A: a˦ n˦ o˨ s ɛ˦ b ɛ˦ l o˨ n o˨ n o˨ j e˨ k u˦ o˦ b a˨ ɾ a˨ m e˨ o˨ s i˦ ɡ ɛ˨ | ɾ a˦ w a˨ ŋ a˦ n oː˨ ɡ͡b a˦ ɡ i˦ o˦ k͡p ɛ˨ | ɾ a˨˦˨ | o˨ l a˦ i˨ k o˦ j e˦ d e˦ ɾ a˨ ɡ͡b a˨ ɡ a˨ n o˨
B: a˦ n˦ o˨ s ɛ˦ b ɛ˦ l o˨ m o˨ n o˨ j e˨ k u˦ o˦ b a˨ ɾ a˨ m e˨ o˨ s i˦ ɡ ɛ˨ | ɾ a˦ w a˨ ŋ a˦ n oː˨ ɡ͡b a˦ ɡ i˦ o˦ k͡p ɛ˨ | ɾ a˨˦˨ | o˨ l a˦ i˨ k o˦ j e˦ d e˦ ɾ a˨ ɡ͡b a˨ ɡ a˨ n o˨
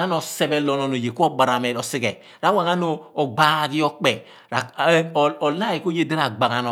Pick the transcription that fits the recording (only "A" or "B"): A